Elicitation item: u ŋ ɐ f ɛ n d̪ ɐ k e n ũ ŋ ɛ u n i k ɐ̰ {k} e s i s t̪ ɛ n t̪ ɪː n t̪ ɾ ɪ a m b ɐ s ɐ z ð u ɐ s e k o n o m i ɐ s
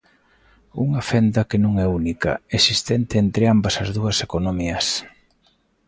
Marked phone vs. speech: incorrect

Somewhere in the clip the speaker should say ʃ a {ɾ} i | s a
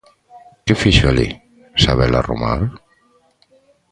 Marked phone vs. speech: incorrect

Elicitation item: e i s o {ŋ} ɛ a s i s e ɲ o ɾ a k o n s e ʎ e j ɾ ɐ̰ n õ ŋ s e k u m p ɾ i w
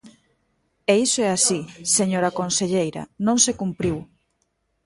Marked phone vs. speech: incorrect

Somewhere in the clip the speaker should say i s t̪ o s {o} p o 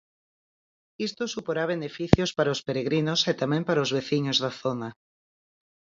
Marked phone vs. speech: incorrect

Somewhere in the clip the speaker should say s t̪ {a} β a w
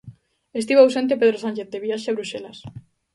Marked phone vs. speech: incorrect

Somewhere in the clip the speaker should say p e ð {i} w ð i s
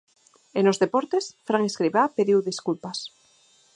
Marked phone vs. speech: correct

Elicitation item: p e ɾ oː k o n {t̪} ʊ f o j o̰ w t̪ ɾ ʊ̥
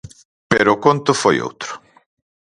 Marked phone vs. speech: correct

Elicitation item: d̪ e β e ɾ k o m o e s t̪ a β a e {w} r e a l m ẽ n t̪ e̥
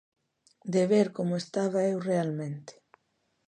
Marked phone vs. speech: correct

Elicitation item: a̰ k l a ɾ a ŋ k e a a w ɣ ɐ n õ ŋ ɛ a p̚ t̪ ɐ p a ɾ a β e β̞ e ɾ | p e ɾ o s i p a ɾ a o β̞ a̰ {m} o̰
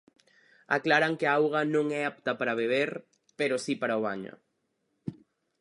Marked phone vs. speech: incorrect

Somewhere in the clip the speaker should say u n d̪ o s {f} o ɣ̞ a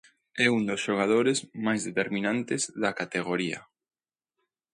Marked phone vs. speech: incorrect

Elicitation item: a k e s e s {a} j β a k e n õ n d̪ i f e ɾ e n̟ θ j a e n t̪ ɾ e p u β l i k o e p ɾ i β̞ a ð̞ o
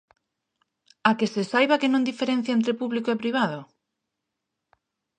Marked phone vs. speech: correct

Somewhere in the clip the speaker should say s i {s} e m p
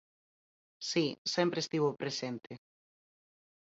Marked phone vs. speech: correct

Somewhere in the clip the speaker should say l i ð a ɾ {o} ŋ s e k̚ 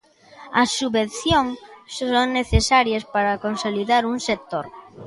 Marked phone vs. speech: incorrect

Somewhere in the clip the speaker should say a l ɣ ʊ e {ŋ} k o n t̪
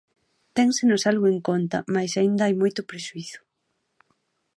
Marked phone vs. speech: correct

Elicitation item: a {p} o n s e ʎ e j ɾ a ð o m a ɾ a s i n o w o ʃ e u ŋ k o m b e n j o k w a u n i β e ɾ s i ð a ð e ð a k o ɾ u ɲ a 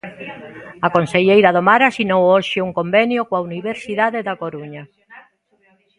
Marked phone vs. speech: incorrect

